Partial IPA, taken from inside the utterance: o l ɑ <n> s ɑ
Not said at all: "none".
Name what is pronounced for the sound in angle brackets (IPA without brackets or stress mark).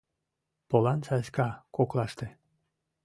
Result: n